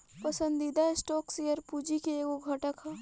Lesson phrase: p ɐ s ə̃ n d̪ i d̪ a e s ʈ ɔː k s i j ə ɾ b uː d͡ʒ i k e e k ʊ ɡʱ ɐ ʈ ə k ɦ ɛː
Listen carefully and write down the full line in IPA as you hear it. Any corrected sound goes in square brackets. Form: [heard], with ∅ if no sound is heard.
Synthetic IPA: p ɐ s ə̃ n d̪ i d̪ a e s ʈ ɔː k s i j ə ɾ [p] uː d͡ʒ i k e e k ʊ ɡʱ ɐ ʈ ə k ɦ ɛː